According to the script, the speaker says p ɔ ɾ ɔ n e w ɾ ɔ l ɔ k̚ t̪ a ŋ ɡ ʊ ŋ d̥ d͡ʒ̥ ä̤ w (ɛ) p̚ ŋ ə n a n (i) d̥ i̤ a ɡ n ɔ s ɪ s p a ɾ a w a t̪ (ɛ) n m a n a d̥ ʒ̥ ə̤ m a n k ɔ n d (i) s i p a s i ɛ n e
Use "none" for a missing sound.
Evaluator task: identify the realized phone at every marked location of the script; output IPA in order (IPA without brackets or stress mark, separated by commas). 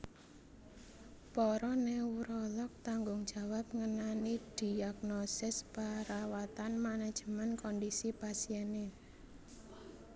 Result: a, i, a, i